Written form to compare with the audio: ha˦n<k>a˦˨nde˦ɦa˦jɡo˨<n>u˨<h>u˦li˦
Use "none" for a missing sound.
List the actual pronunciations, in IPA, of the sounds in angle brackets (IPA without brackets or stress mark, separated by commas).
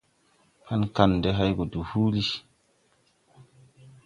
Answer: k, d, h